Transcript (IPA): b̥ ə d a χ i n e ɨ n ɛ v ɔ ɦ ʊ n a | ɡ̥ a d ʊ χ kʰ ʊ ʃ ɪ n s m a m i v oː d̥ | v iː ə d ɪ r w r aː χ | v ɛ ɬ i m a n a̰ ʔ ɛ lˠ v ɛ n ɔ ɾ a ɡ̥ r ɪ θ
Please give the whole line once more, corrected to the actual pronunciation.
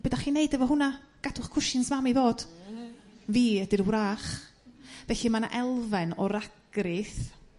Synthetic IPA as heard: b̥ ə d a χ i n e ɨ d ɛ v ɔ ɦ ʊ n a | ɡ̥ a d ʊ χ kʰ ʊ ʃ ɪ n s m a m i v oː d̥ | v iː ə d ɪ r w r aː χ | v ɛ ɬ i m a n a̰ ʔ ɛ lˠ v ɛ n ɔ ɾ a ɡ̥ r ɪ θ